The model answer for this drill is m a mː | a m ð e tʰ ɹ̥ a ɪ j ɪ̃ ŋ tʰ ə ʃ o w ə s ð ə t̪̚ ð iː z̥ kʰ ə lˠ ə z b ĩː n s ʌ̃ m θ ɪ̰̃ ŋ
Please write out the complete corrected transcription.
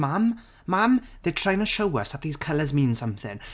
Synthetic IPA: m a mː | a m ð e tʰ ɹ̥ a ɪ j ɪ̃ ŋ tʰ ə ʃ o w ə s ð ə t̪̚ ð iː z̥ kʰ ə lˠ ə z m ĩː n s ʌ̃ m θ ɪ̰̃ ŋ